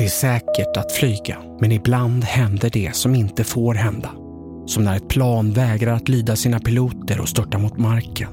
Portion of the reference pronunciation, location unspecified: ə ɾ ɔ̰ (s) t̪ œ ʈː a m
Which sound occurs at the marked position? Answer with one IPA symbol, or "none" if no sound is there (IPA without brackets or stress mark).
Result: s